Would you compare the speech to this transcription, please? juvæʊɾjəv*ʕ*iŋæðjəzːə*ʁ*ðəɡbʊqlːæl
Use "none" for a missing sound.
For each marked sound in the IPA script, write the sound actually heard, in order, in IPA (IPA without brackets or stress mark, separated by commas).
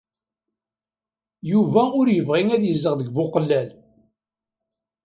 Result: ʁ, ʁ